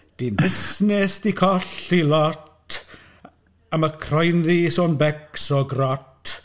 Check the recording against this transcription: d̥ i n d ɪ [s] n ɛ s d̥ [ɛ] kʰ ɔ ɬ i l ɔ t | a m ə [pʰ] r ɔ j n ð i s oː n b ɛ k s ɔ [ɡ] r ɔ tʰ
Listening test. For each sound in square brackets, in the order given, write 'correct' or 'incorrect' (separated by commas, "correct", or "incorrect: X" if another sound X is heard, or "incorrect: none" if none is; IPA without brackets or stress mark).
correct, incorrect: i, incorrect: kʰ, correct